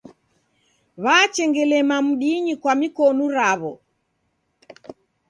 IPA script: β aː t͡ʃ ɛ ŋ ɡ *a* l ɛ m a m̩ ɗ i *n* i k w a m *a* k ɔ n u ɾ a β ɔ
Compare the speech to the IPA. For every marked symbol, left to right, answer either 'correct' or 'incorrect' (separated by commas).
incorrect, incorrect, incorrect